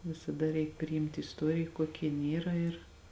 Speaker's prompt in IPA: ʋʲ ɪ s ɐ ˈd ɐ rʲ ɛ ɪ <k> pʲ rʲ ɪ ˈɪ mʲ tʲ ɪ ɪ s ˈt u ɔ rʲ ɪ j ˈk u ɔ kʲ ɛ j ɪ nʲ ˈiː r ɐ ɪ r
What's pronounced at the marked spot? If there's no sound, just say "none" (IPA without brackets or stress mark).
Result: k